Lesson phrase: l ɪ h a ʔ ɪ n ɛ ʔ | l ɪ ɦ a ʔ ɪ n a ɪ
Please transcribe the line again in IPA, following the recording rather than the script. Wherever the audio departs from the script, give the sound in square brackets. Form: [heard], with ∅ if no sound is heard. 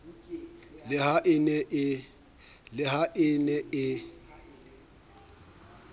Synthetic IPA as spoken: l ɪ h a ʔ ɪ n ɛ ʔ | l ɪ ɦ a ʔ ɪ n [ɛ] ɪ